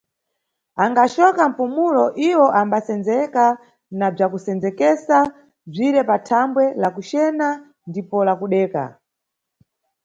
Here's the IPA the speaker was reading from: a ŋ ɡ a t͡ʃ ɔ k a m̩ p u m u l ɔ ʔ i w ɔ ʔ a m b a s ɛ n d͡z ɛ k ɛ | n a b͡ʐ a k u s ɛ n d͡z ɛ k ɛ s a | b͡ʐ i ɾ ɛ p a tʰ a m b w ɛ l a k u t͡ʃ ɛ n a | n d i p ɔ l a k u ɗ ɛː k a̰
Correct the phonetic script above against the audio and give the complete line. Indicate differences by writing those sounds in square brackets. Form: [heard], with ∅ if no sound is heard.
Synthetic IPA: a ŋ ɡ a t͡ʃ ɔ k a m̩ p u m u l ɔ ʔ i w ɔ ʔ a m b a s ɛ n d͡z ɛ k [a] | n a b͡ʐ a k u s ɛ n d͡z ɛ k ɛ s a | b͡ʐ i ɾ ɛ p a tʰ a m b w ɛ l a k u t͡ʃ ɛ n a | n d i p ɔ l a k u ɗ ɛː k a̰